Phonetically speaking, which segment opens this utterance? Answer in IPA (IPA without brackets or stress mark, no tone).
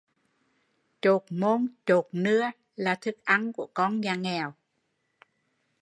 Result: t͡ɕ